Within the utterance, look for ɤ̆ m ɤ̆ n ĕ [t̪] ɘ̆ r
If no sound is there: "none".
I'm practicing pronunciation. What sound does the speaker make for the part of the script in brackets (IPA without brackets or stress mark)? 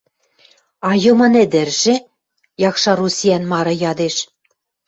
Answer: d̪